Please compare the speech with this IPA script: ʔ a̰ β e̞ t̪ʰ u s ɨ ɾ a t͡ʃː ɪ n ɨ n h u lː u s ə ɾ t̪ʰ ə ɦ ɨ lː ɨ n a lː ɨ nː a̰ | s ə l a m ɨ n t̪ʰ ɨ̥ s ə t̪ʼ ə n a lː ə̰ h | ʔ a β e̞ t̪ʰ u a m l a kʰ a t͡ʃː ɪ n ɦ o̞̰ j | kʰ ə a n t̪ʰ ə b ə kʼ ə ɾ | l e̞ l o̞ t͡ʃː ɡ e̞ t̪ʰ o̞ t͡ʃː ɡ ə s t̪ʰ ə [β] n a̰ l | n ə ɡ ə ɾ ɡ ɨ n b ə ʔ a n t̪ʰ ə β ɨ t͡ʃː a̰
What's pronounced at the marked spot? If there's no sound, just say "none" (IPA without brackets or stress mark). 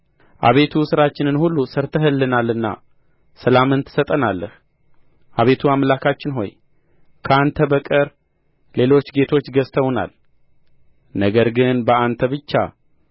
w